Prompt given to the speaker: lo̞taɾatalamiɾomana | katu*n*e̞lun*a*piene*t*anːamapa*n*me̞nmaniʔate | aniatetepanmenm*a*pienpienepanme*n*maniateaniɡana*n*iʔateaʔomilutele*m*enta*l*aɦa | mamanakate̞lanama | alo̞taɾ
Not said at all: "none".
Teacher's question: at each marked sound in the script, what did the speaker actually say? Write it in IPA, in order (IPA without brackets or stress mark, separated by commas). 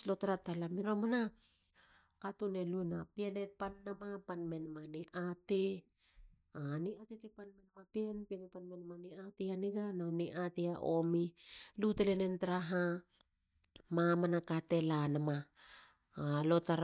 n, a, p, n, a, n, n, n, ɾ